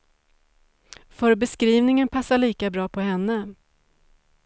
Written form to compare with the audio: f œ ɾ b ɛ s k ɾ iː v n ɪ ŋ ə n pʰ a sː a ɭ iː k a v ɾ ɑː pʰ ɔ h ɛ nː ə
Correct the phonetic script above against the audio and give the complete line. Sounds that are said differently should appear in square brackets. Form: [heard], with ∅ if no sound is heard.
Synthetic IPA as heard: f œ ɾ b ɛ s k ɾ iː v n ɪ ŋ ə n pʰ a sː a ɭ iː k a [b] ɾ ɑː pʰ ɔ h ɛ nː ə